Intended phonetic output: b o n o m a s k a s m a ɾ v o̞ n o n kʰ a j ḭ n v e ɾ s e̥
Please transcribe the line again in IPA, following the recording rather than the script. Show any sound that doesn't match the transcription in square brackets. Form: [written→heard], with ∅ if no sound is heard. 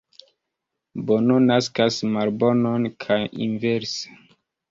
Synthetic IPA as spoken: b o n o [m→n] a s k a s m a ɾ [v→b] o̞ n o n kʰ a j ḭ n v e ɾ s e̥